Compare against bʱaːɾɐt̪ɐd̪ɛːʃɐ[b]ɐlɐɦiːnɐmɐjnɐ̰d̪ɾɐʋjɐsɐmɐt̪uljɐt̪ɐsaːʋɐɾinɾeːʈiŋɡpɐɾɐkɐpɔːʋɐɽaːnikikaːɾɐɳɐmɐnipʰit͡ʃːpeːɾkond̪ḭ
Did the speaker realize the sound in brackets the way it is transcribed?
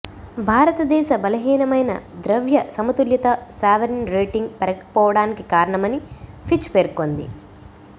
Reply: yes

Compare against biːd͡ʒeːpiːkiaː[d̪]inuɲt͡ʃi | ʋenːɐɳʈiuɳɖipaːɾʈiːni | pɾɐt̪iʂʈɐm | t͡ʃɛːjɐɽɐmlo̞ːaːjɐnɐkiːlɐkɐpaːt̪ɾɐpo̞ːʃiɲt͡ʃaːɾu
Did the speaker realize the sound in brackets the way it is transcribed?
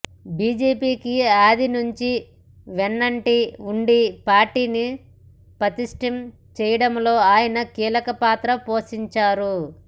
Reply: yes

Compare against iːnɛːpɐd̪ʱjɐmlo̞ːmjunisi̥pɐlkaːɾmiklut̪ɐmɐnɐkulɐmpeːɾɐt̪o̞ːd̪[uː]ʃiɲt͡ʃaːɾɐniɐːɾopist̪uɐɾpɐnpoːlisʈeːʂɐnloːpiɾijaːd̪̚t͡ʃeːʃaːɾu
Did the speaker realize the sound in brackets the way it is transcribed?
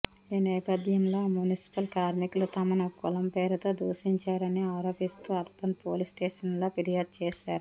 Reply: yes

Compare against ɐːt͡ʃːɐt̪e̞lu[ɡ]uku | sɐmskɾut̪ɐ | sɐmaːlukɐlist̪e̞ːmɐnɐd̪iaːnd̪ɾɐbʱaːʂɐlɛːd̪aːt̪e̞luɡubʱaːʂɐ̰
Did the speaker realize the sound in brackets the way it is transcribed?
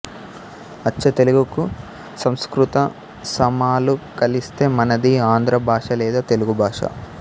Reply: yes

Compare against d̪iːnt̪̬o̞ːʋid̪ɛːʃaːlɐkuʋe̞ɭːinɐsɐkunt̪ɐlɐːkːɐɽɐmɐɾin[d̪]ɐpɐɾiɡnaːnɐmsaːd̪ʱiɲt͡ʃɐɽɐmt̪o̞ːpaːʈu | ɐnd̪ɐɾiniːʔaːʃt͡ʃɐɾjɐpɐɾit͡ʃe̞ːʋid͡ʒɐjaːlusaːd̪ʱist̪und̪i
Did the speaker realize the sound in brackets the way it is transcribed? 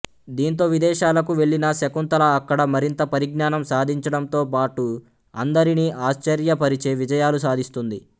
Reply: no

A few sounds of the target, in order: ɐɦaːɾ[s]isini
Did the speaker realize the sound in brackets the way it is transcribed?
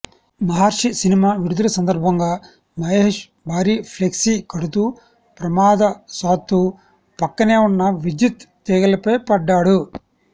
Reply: no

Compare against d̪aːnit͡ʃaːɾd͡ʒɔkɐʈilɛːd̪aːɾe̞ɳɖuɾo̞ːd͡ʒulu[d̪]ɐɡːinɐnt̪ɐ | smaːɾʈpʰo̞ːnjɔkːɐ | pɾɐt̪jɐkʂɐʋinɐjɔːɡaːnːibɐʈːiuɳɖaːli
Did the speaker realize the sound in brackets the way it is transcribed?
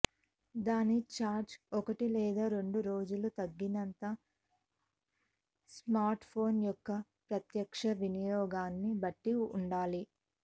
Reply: no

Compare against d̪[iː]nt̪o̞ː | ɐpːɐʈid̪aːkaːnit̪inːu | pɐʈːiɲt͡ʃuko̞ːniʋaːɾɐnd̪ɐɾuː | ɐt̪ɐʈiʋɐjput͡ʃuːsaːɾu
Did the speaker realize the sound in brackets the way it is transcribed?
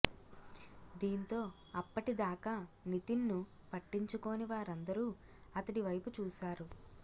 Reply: yes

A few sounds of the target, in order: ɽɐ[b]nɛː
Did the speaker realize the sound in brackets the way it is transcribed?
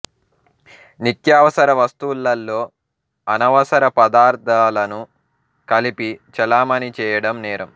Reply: no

